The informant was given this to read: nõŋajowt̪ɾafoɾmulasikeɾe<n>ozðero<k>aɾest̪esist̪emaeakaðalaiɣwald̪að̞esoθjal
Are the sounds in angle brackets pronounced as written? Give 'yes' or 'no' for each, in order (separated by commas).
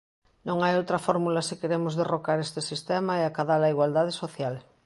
no, yes